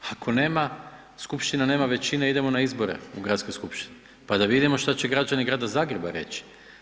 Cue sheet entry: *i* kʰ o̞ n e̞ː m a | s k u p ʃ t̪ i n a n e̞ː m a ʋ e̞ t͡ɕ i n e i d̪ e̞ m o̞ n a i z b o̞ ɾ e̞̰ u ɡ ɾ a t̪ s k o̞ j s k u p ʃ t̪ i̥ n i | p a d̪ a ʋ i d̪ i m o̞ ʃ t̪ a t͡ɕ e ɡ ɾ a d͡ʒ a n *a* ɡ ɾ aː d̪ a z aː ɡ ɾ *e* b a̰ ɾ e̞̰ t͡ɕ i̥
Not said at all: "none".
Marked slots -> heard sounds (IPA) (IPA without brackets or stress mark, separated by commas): a, i, e